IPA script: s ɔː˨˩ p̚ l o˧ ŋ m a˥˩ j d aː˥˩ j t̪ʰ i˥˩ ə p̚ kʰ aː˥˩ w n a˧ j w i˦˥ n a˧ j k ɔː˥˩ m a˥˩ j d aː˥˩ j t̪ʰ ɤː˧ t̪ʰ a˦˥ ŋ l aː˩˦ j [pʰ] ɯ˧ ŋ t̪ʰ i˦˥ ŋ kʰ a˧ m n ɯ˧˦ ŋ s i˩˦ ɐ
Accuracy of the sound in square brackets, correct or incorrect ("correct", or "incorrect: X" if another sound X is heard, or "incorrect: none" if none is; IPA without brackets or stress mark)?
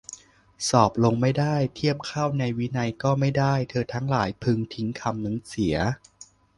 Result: correct